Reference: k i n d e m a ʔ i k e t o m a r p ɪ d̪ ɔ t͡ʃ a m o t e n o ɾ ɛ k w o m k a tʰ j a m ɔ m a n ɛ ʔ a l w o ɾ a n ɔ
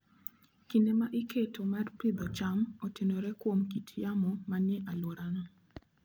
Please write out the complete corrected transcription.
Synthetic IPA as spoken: k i n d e m a ʔ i k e t o m a r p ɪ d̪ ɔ t͡ʃ a m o t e n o ɾ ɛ k w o m k i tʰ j a m ɔ m a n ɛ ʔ a l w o ɾ a n ɔ

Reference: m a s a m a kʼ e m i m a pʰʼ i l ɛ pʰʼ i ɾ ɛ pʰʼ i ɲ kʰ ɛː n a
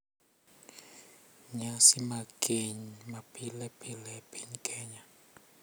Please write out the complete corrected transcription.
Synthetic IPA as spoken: ɲ a s i m a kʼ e ɲ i m a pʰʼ i l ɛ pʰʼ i l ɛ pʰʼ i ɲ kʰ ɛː ɲ a

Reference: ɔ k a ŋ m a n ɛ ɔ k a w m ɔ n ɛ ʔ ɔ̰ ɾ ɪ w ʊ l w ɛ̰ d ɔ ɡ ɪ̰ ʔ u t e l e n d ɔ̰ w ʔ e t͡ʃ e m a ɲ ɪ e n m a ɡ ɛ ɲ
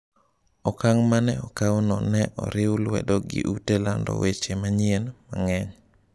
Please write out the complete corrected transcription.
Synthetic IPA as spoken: ɔ k a ŋ m a n ɛ ɔ k a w n ɔ n ɛ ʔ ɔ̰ ɾ ɪ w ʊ l w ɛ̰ d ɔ ɡ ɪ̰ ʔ u t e l a n d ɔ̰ w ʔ e t͡ʃ e m a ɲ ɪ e n m a ŋ ɛ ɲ

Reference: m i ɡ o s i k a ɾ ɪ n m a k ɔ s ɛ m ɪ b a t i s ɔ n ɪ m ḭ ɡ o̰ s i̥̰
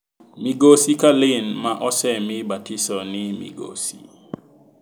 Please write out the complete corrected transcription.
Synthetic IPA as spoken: m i ɡ o s i k a l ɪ n m a ʔ ɔ s ɛ m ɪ b a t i s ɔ n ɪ m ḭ ɡ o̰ s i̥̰

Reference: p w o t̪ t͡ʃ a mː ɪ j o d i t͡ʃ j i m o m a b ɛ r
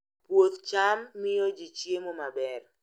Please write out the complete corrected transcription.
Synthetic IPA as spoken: p w o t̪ t͡ʃ a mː ɪ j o d͡ʒ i t͡ʃ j e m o m a b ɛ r

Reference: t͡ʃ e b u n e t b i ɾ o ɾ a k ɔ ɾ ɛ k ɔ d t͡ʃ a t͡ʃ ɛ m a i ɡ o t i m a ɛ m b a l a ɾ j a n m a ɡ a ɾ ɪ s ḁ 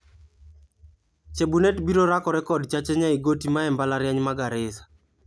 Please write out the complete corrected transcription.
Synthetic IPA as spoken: t͡ʃ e b u n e t b i ɾ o ɾ a k ɔ ɾ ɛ k ɔ d t͡ʃ a t͡ʃ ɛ ɲ a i ɡ o t i m a ɛ m b a l a ɾ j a ɲ m a ɡ a ɾ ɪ s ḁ

